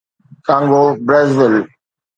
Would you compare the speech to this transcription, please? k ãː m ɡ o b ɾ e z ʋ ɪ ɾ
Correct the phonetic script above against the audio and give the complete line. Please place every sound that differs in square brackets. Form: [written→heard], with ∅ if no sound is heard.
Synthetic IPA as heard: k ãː [m→ŋ] ɡ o b ɾ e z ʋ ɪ [ɾ→l]